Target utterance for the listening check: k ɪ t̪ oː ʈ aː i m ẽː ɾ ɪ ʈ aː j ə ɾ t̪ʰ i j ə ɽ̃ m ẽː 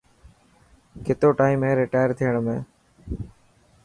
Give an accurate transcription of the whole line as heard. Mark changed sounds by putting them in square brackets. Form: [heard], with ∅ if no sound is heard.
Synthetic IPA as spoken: k ɪ t̪ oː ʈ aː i m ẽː ɾ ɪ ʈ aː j ə ɾ t̪ʰ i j ə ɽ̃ m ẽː